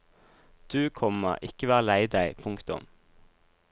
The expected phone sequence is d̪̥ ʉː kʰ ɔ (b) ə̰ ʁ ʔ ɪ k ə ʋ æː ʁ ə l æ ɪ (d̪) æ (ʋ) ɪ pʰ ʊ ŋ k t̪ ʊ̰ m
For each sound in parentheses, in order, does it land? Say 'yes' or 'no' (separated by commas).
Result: no, yes, no